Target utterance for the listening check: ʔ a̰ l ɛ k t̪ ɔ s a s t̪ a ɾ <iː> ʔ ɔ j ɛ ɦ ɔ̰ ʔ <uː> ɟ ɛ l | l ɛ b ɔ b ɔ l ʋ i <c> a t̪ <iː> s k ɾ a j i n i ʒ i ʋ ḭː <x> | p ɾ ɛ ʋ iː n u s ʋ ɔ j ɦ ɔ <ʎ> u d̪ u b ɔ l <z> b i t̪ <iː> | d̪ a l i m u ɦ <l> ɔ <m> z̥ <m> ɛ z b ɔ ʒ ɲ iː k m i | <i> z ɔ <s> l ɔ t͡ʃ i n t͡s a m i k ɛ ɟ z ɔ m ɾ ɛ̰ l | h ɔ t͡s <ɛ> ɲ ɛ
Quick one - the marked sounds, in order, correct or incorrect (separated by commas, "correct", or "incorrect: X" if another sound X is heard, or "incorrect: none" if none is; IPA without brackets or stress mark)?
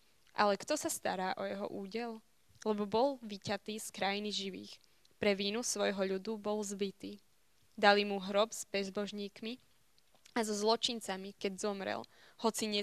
incorrect: aː, correct, correct, correct, correct, correct, correct, correct, incorrect: ɾ, incorrect: b, incorrect: b, incorrect: a, incorrect: z, incorrect: i